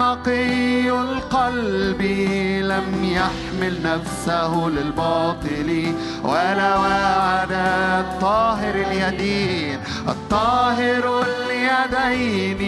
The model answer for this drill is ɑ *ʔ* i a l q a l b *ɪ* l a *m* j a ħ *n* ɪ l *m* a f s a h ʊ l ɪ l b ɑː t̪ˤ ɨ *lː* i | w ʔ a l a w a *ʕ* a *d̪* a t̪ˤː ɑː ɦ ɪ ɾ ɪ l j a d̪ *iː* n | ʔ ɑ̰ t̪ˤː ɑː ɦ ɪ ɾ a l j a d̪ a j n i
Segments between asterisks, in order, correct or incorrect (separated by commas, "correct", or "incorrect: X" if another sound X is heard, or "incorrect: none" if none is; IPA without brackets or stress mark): incorrect: q, incorrect: i, correct, incorrect: m, incorrect: n, incorrect: l, correct, correct, correct